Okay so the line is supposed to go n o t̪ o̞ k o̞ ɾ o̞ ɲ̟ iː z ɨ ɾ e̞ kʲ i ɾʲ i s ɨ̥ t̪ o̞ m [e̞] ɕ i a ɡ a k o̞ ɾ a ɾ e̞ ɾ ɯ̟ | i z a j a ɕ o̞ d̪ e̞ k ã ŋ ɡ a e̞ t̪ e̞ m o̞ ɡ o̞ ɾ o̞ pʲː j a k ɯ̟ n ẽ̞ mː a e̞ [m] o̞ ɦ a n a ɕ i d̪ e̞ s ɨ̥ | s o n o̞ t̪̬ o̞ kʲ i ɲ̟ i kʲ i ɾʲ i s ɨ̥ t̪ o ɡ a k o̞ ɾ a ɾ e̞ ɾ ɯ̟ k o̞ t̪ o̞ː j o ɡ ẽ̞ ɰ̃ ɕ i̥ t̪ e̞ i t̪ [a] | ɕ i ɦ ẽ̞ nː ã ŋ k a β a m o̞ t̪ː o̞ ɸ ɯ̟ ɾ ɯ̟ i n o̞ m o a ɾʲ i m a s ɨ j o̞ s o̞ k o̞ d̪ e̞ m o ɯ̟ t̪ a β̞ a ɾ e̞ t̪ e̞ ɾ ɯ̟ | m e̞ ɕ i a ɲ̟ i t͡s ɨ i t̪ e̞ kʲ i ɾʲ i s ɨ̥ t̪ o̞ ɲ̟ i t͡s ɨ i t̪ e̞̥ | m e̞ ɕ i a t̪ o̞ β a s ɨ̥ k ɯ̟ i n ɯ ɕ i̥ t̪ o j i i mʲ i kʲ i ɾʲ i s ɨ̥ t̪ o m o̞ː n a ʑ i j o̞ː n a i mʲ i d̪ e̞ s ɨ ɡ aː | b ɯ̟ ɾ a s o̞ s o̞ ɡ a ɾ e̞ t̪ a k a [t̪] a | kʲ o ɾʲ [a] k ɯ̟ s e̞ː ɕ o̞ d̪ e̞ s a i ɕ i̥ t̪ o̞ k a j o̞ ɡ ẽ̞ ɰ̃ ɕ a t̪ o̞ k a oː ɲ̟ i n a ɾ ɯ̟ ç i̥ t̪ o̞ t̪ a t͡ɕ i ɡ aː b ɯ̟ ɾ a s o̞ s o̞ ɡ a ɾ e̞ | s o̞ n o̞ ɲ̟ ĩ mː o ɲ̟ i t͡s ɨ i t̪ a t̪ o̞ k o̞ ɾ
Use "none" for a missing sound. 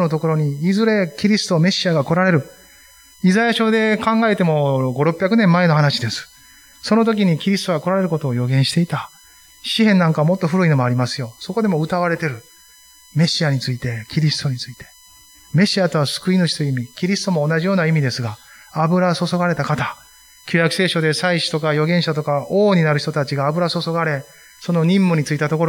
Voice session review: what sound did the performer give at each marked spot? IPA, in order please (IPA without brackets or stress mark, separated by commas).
e̞, n, a, t̪, a